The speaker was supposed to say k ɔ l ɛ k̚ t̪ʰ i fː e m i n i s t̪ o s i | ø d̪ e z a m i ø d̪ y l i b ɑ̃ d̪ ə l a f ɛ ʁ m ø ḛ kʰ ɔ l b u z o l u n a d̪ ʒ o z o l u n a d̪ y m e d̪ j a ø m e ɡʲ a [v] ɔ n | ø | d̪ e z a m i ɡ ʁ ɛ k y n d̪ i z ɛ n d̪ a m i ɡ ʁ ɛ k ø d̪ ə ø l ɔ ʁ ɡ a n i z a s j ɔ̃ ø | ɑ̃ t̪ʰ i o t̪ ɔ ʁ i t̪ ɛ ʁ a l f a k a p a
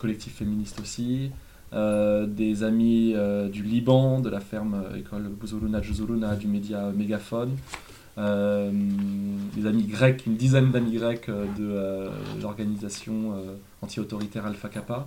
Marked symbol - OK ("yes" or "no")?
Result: no